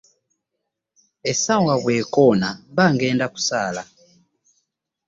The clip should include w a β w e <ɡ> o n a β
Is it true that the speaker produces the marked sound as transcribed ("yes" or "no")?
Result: no